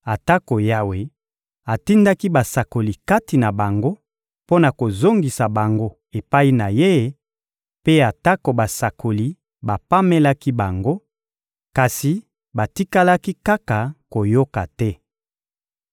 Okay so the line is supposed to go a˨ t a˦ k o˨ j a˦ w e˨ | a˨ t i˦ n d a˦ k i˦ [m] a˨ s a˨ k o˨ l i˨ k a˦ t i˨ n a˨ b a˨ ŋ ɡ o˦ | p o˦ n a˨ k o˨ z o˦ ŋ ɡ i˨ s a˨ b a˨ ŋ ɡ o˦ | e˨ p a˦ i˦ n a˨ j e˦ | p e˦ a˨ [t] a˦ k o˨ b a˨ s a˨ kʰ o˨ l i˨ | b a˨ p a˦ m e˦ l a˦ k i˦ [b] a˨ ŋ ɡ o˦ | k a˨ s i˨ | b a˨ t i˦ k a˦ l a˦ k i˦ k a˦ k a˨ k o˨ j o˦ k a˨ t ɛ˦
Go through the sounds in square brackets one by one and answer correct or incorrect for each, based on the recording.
incorrect, correct, correct

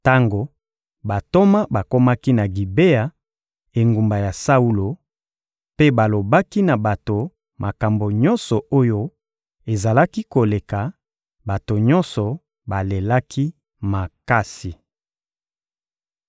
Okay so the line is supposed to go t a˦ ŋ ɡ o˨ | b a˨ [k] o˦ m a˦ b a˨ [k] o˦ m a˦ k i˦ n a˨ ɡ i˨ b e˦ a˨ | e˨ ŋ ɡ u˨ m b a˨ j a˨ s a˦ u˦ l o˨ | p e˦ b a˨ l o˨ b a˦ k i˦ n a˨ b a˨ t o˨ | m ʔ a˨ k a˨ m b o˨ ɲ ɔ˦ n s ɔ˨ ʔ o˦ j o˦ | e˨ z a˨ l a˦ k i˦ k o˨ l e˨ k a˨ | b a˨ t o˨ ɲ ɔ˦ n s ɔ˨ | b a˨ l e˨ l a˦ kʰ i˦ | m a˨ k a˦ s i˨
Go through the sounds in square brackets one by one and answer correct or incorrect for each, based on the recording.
incorrect, correct

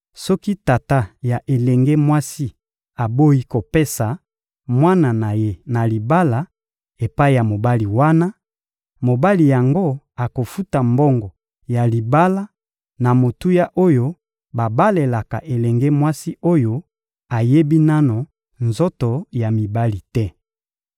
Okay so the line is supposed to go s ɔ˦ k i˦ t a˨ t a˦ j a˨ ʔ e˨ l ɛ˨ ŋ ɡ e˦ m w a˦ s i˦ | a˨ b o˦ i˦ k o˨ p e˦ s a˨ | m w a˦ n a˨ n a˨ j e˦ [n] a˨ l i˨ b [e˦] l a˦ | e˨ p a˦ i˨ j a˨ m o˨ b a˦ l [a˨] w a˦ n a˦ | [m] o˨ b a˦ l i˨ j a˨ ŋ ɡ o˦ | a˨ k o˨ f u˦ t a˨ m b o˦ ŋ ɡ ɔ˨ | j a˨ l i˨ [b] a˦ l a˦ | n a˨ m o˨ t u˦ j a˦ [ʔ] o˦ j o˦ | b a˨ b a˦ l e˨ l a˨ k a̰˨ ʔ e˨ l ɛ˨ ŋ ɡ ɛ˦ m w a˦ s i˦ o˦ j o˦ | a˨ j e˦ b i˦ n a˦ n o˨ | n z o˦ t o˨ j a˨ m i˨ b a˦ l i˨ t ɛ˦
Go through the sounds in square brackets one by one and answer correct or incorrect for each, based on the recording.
correct, incorrect, incorrect, correct, correct, correct

